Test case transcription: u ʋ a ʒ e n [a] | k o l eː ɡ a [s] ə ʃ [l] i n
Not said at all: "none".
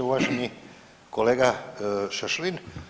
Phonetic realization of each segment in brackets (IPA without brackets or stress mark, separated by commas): i, ʃ, l